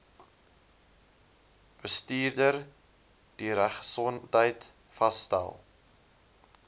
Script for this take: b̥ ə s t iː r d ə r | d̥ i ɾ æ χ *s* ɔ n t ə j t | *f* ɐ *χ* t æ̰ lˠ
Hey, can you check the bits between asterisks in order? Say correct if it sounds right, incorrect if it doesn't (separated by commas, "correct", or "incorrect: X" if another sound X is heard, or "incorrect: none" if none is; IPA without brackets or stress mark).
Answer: correct, correct, incorrect: s